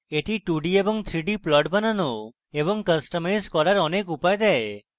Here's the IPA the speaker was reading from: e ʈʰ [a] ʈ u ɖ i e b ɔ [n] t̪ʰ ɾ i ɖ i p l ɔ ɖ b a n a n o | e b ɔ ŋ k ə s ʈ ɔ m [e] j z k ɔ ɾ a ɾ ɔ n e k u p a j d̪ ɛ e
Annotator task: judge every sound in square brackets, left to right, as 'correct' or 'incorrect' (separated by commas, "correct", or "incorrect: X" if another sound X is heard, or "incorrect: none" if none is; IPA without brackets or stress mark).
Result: incorrect: i, incorrect: ŋ, incorrect: a